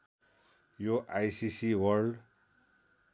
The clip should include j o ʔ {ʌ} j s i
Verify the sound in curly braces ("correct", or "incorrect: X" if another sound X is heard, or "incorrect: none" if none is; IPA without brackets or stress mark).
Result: incorrect: a